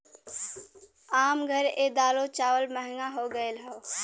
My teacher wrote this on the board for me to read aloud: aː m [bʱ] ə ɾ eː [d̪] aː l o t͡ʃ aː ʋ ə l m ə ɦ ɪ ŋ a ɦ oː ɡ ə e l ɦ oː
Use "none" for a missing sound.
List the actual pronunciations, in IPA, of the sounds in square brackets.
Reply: ɡʱ, d̪

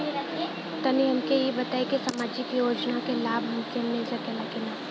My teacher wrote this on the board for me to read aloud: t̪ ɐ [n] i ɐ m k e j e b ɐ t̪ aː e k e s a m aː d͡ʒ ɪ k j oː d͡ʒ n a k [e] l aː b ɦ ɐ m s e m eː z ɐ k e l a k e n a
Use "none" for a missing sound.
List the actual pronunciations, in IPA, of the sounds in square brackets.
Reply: n, e

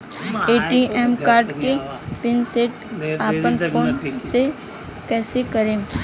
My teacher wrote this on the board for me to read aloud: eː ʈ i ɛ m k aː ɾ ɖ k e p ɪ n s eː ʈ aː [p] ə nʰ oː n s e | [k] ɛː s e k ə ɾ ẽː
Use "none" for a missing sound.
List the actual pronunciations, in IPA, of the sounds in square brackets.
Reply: p, k

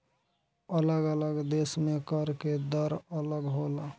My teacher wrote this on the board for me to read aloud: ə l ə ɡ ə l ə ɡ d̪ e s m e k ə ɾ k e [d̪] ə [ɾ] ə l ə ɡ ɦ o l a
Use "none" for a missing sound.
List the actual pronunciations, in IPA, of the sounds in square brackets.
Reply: d̪, ɾ

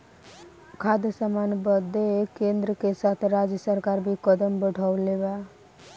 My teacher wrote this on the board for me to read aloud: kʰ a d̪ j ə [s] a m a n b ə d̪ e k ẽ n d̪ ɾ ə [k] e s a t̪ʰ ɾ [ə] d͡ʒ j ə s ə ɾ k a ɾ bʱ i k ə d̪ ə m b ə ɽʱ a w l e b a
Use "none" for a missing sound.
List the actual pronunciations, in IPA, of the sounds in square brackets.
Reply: s, k, a

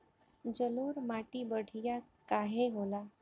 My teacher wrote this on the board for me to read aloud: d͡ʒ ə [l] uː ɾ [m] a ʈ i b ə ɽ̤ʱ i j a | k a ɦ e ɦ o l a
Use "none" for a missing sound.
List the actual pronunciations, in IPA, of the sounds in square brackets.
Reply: l, m

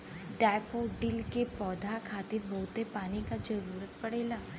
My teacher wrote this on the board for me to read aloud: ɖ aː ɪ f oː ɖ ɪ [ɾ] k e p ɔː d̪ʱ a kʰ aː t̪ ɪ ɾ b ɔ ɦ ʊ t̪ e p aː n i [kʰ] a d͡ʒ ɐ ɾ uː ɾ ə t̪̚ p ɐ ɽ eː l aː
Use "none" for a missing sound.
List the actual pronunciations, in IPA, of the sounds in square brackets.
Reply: l, k

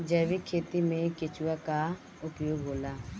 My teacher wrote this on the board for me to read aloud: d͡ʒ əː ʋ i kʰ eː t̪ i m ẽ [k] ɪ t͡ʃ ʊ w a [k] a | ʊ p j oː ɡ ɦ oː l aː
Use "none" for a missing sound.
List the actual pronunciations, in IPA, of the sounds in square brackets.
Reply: k, k

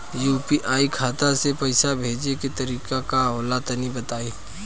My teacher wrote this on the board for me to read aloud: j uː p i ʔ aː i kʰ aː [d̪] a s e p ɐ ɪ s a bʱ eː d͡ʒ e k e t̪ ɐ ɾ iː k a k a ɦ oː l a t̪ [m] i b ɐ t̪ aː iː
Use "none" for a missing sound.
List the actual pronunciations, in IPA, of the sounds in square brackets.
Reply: t̪, n

